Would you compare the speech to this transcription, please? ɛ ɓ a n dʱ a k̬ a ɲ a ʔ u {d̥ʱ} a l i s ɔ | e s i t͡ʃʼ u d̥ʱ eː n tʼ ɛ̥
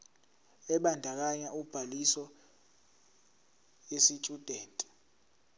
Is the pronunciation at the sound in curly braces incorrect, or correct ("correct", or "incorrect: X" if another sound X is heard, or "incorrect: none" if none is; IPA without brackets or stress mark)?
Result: incorrect: b̥ʱ